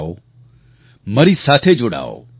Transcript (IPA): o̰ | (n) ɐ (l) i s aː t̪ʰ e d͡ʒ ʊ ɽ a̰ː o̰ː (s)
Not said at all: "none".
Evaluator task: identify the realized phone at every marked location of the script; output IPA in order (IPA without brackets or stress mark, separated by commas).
m, ɾ, none